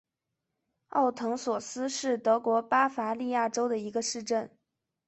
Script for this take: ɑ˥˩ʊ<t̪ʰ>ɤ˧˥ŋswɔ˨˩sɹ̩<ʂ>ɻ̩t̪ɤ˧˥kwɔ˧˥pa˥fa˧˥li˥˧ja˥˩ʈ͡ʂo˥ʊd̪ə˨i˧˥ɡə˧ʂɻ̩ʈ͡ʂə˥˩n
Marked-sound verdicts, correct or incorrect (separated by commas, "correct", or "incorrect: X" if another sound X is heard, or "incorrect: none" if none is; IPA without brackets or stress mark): correct, correct